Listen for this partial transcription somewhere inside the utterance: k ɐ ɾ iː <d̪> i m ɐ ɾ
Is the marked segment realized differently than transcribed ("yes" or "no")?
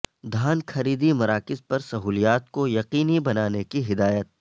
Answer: no